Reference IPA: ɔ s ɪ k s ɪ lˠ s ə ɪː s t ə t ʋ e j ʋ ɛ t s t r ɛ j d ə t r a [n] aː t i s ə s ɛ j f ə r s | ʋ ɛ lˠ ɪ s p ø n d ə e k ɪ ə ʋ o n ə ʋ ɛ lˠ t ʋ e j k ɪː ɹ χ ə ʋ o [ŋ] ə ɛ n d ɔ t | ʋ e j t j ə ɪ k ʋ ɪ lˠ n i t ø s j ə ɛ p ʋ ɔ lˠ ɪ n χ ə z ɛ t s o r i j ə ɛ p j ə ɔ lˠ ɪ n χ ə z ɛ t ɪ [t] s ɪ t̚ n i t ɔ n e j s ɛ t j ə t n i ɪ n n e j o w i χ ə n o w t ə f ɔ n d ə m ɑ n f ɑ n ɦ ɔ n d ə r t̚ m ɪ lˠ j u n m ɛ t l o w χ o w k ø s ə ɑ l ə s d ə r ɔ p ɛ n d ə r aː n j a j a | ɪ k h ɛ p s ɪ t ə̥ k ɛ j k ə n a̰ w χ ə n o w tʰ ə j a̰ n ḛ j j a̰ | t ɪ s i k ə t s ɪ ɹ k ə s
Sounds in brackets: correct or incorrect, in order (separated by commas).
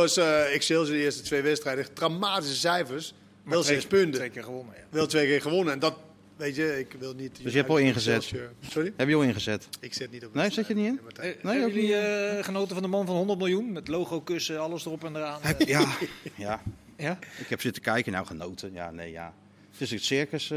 incorrect, incorrect, incorrect